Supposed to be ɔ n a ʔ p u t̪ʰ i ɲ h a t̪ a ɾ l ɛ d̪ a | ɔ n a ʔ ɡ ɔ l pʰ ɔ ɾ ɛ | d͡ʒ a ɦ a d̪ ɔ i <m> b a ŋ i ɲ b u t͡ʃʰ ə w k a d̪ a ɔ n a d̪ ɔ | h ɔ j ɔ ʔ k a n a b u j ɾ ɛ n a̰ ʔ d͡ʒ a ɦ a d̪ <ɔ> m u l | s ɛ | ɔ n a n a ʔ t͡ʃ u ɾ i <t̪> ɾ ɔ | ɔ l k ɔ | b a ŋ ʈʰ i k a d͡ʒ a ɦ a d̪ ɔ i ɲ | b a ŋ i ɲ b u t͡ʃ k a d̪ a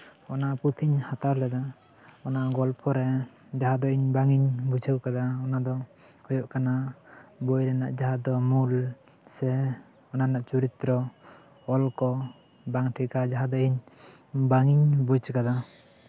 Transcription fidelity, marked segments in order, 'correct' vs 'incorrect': incorrect: ɲ, correct, correct

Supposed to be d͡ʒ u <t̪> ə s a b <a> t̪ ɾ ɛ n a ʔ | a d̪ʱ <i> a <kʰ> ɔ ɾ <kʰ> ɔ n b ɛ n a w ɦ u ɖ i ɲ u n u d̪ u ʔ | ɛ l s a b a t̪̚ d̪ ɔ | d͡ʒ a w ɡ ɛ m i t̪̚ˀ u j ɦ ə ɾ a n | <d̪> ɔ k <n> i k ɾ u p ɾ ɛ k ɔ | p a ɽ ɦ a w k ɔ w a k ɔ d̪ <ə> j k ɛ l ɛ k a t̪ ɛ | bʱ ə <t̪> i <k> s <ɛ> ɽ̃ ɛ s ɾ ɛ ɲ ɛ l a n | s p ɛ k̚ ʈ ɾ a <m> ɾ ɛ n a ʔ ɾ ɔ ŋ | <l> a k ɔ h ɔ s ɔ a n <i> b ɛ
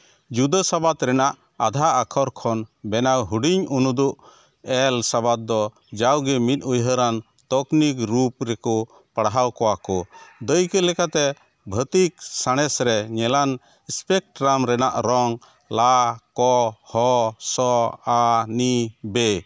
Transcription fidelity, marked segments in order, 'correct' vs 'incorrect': incorrect: d̪, correct, incorrect: a, correct, correct, incorrect: t̪, correct, correct, correct, correct, incorrect: a, correct, correct, correct

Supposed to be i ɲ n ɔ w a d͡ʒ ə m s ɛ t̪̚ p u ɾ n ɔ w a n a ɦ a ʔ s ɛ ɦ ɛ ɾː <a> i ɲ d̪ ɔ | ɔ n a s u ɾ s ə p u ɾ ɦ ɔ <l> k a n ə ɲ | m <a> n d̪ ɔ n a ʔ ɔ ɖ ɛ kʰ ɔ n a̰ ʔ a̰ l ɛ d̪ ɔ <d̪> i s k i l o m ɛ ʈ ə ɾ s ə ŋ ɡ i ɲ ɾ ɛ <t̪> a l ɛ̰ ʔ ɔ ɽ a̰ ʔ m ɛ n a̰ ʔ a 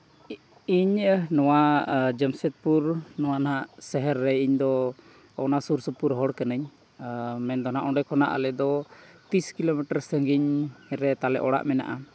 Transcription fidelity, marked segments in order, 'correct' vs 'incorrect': incorrect: ɛ, incorrect: ɽ, incorrect: ɛ, incorrect: t̪, correct

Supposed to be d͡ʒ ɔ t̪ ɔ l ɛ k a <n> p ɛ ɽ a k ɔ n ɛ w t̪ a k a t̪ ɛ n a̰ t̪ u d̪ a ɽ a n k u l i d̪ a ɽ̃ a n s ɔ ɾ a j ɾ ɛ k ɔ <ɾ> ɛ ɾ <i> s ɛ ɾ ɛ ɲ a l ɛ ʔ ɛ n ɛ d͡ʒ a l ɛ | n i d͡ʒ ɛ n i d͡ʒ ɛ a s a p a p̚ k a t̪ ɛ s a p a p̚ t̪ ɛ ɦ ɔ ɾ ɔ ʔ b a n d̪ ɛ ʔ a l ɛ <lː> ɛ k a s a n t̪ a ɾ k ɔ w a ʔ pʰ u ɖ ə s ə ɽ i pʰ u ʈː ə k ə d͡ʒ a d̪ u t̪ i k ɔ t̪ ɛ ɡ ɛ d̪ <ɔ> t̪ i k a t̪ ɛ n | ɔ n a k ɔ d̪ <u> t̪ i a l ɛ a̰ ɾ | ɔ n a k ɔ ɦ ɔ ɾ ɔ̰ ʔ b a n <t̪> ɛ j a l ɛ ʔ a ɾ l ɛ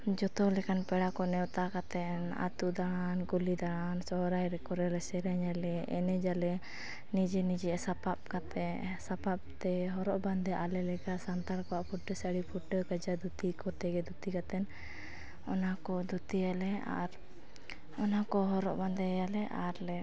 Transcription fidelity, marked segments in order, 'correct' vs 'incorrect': correct, correct, incorrect: ɛ, incorrect: l, incorrect: u, correct, incorrect: d̪

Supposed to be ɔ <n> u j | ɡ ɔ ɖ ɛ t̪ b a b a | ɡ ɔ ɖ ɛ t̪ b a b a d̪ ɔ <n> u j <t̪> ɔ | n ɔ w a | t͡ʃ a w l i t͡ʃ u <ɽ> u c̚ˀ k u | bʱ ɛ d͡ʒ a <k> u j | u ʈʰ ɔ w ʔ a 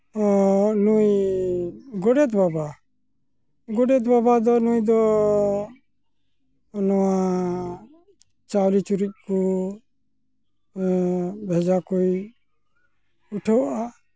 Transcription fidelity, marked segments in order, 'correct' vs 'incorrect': correct, correct, incorrect: d̪, incorrect: ɾ, correct

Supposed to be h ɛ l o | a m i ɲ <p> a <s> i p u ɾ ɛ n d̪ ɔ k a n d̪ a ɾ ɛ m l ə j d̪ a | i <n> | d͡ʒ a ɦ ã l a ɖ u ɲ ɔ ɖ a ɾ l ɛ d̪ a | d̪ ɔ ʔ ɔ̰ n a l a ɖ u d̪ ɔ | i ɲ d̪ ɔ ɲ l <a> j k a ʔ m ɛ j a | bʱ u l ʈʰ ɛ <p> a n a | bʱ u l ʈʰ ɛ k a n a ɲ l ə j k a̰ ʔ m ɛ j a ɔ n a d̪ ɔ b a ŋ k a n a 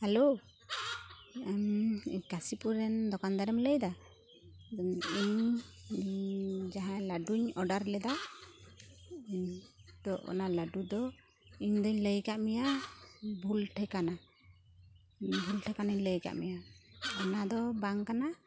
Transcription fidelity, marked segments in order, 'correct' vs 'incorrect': incorrect: k, correct, incorrect: ɲ, incorrect: ə, incorrect: k

